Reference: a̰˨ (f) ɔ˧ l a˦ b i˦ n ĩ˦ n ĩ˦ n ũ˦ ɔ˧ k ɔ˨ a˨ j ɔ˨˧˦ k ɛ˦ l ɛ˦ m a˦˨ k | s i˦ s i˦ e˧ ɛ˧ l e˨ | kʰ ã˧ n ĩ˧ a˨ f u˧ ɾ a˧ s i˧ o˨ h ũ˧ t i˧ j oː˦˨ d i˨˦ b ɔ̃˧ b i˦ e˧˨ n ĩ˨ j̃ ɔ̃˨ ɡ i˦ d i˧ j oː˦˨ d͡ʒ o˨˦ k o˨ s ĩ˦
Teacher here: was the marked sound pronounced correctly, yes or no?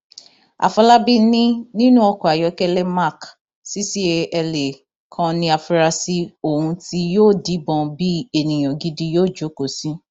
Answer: yes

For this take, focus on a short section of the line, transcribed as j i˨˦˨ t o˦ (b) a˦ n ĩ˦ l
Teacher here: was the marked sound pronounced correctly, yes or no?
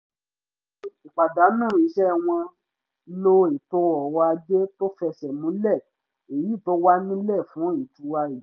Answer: no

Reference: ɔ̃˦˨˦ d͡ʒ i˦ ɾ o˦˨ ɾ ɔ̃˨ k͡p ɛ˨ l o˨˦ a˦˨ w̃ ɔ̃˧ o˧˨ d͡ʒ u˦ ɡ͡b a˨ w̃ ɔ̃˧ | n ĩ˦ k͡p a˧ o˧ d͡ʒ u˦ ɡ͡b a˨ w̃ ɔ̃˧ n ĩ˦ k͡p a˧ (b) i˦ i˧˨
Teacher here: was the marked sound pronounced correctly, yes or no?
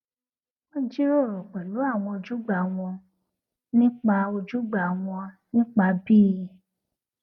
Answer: yes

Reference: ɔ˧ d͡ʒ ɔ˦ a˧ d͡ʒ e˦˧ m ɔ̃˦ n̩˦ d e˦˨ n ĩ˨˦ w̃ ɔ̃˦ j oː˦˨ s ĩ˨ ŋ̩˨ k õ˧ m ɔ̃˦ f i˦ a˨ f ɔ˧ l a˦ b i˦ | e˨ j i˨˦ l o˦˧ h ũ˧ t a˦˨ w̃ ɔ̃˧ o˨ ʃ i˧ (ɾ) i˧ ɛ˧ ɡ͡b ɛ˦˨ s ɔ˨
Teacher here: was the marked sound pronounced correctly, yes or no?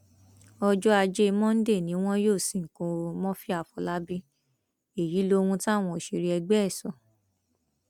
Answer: yes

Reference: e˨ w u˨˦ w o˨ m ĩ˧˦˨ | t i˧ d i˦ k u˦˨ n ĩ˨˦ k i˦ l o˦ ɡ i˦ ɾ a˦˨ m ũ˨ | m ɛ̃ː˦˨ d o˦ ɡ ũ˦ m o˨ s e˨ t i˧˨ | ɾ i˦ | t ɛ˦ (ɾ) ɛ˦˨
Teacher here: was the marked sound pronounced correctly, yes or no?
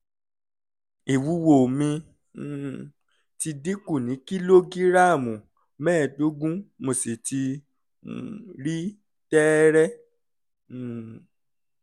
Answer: yes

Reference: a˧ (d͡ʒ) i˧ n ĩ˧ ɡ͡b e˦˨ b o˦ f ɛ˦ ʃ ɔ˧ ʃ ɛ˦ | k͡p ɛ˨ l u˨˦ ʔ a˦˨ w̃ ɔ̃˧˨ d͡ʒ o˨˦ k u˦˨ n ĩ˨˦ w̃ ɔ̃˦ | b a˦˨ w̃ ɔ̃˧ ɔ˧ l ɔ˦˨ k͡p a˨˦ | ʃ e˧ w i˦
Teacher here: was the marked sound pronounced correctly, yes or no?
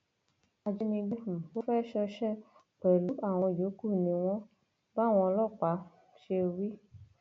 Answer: yes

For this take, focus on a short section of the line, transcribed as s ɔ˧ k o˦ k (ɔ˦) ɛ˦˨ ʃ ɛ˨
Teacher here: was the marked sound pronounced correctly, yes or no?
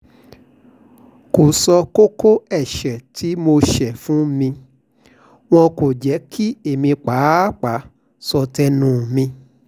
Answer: no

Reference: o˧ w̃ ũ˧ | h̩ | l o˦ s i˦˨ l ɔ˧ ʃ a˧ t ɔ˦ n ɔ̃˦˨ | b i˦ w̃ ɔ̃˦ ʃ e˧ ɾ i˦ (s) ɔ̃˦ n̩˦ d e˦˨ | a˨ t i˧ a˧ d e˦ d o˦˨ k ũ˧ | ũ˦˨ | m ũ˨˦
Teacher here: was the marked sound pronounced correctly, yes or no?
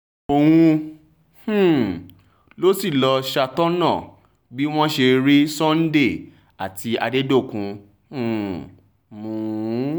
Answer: yes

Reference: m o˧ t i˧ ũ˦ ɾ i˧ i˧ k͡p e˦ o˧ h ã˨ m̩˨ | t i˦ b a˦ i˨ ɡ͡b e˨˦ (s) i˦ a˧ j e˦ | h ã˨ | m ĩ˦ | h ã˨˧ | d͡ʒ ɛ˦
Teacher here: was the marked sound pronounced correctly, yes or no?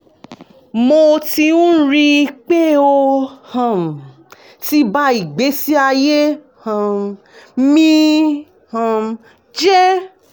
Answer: yes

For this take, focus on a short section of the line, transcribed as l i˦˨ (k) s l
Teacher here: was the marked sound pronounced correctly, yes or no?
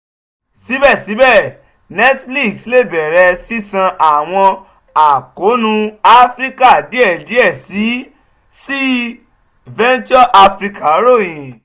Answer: yes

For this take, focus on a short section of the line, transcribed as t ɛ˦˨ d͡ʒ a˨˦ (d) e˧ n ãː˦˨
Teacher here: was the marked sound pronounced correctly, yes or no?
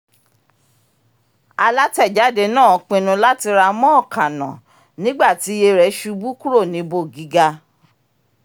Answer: yes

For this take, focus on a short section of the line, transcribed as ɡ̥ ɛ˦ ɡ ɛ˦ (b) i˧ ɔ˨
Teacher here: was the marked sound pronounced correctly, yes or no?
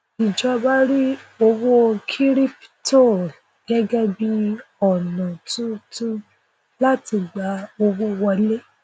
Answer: yes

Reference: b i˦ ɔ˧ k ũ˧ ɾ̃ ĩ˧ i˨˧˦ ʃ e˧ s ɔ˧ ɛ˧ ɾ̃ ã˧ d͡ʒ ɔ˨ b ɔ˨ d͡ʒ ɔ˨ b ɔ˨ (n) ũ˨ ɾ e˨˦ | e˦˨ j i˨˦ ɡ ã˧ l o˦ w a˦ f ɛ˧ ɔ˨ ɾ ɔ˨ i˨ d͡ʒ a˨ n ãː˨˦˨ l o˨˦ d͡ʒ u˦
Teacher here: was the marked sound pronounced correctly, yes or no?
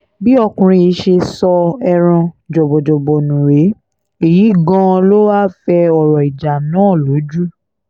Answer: yes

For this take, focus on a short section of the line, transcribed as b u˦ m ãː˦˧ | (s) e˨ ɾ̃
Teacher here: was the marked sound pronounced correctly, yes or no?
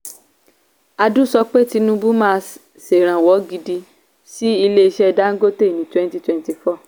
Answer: yes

